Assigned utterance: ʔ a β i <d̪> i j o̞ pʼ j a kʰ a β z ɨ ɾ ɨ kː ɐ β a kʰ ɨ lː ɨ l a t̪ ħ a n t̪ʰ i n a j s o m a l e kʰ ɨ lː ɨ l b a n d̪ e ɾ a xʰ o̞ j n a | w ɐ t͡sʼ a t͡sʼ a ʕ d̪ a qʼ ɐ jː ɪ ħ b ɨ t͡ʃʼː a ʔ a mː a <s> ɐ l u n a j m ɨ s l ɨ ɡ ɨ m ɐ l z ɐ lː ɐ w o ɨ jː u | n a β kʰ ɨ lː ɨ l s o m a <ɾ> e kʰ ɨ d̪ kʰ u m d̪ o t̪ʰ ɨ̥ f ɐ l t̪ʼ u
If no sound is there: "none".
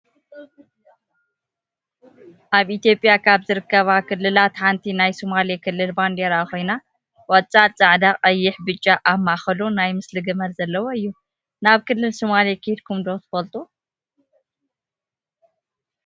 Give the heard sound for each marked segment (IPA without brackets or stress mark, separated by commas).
t̪, x, l